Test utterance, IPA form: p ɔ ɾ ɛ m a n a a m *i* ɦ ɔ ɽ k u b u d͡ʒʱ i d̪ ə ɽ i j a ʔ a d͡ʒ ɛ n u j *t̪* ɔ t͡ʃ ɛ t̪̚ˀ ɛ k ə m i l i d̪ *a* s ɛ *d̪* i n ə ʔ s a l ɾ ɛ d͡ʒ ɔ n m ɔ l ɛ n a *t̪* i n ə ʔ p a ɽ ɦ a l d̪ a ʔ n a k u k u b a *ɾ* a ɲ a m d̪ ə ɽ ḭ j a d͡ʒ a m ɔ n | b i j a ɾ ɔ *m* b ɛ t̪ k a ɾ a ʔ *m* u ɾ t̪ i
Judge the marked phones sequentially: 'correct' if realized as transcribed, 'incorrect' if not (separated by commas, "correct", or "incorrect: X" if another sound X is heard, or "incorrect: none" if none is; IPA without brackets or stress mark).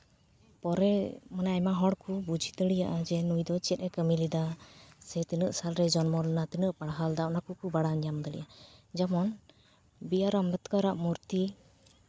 incorrect: a, incorrect: d̪, correct, incorrect: t̪, correct, incorrect: ɽ, correct, correct